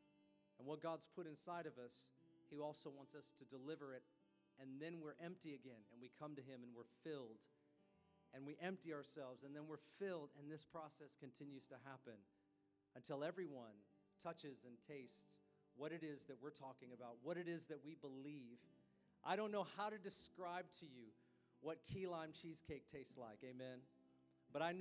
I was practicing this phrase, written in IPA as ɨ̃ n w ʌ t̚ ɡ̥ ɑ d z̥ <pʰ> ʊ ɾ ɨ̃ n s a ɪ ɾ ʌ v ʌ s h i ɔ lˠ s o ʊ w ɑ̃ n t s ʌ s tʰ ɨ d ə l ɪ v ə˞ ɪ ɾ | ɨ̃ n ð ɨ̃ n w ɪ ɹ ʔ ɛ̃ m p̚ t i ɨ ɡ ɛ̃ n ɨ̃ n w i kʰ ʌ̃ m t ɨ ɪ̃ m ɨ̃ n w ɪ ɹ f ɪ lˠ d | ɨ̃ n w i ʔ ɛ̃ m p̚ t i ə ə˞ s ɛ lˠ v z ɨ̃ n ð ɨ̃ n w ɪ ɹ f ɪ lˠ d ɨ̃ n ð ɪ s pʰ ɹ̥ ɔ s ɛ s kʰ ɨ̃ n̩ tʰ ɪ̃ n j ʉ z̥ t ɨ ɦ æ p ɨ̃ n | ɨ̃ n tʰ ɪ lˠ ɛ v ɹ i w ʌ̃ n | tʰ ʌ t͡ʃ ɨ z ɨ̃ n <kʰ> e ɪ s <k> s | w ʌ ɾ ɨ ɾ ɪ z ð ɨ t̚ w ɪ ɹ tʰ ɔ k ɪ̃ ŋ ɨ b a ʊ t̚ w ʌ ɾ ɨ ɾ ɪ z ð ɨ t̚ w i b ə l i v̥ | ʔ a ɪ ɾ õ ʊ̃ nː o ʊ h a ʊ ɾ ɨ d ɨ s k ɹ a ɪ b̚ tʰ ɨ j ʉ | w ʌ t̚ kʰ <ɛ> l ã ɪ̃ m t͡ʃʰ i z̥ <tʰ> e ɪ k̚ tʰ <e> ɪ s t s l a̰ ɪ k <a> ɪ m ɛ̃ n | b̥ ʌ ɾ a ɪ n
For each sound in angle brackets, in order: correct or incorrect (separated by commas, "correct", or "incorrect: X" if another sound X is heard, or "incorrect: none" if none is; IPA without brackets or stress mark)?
correct, incorrect: tʰ, incorrect: t, incorrect: i, incorrect: kʰ, correct, incorrect: e